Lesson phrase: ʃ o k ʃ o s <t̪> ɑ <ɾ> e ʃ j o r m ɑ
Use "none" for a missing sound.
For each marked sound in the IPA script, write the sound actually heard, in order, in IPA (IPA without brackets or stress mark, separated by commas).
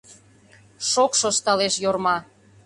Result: t̪, l